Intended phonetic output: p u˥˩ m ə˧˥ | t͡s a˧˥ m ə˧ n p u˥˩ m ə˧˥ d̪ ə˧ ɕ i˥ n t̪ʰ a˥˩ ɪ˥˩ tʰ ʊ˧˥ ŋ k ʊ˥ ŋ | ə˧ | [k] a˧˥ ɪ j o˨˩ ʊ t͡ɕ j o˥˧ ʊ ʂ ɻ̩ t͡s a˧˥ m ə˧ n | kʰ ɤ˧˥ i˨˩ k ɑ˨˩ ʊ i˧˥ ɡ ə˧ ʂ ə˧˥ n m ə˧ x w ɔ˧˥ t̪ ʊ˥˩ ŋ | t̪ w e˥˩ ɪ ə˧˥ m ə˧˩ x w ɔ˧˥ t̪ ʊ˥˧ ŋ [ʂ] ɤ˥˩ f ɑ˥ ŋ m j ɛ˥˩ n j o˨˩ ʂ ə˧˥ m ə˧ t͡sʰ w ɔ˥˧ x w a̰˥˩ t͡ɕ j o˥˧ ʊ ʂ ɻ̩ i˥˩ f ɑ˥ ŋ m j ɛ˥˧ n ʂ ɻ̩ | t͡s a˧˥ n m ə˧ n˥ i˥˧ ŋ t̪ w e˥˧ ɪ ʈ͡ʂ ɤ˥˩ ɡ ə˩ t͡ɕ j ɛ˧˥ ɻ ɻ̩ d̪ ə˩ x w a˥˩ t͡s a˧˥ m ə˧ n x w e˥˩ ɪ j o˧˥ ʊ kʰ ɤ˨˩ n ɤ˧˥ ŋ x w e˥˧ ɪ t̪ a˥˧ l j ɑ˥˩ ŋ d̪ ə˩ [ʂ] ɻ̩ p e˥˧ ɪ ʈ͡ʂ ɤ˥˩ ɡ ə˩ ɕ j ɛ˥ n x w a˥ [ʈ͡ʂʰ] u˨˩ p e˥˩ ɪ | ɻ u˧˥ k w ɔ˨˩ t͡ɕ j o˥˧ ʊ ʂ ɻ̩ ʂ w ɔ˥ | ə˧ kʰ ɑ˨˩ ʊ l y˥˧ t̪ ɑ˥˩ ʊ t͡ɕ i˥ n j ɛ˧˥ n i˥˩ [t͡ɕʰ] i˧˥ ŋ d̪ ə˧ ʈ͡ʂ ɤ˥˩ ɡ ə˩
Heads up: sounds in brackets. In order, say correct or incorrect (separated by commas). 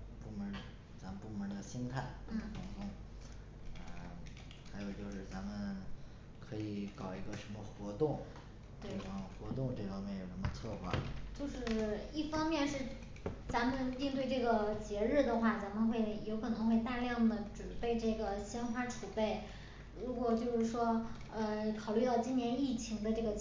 incorrect, incorrect, incorrect, correct, correct